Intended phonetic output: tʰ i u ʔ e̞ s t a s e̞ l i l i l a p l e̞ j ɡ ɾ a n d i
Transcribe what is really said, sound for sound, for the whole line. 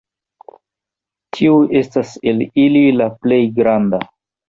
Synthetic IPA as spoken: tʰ i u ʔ e̞ s t a s e̞ l i l i l a p l e̞ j ɡ ɾ a n d a

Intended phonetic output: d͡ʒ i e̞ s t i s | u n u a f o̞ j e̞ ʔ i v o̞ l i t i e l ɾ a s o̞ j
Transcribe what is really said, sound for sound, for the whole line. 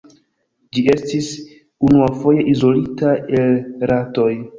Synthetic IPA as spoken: d͡ʒ i e̞ s t i s | u n u a f o̞ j e̞ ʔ i z o̞ l i t a e l ɾ a t o̞ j

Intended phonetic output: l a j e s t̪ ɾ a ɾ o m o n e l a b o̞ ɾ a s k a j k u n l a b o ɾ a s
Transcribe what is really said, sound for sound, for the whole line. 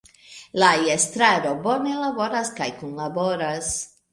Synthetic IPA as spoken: l a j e s t̪ ɾ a ɾ o b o n e l a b o̞ ɾ a s k a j k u n l a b o ɾ a s

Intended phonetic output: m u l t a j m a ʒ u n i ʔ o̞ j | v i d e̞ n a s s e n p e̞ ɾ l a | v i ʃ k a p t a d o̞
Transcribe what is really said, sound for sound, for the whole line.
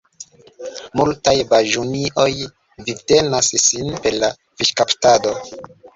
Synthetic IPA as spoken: m u l t a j b a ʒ u n i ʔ o̞ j | v i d e̞ n a s s i n p e̞ ɾ l a | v i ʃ k a p t a d o̞

